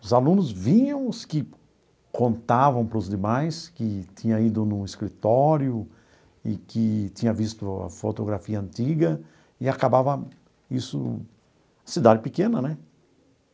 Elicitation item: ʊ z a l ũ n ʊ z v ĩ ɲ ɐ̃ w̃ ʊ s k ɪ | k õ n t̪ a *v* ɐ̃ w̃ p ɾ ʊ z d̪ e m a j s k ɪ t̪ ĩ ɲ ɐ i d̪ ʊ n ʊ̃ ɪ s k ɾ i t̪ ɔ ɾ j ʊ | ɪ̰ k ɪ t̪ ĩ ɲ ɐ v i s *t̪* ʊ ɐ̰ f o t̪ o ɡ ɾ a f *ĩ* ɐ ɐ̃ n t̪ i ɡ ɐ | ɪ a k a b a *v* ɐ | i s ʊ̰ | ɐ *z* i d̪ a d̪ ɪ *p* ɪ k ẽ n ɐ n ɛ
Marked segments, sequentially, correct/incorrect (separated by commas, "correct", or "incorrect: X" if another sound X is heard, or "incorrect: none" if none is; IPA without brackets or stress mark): correct, correct, incorrect: i, correct, incorrect: s, correct